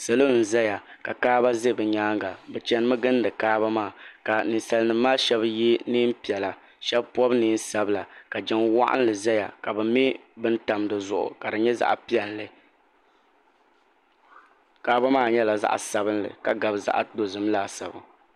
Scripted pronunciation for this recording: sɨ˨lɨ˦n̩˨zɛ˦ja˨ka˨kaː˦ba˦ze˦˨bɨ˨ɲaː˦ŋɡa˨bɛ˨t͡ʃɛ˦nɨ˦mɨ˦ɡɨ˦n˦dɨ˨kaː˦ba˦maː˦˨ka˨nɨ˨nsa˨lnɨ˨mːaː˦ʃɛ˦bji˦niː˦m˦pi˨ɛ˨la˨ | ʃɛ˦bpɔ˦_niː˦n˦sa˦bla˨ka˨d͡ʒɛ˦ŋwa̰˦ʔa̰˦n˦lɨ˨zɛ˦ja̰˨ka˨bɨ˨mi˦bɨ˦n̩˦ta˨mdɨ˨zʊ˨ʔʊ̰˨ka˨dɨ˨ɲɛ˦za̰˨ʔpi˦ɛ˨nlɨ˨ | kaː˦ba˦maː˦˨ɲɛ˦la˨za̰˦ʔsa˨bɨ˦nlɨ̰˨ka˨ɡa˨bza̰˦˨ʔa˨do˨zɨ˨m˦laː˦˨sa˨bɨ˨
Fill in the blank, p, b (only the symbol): b